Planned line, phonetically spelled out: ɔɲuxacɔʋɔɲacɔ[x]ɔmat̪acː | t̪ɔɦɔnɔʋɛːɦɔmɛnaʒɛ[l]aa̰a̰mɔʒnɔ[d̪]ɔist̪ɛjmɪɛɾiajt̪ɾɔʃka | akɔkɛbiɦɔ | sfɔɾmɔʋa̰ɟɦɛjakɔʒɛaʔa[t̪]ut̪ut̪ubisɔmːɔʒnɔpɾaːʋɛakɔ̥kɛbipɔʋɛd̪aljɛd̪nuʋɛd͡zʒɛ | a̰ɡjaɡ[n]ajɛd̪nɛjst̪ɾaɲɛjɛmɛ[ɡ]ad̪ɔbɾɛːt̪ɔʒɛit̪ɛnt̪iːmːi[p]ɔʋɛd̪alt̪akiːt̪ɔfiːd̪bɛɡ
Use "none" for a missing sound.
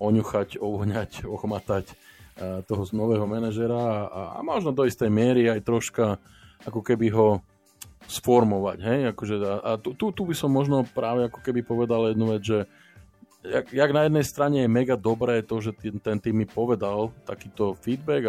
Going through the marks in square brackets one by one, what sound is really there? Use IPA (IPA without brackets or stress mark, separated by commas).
x, ɾ, d̪, t̪, n, ɡ, p